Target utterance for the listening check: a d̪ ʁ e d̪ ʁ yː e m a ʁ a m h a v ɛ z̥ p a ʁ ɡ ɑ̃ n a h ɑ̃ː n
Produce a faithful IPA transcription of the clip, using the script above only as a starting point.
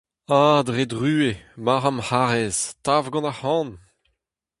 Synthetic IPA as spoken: a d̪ ʁ e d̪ ʁ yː e m a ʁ a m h a ʁ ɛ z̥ t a v ɡ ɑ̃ n a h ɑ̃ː n

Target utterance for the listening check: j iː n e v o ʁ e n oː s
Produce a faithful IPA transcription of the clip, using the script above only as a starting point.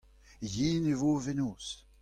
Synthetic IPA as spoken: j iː n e v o v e n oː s

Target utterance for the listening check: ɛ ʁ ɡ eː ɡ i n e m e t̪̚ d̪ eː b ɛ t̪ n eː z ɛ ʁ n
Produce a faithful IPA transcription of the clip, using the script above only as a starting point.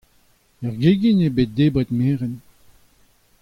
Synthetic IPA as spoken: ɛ ʁ ɡ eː ɡ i n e b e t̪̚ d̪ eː b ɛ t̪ m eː ʁ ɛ n

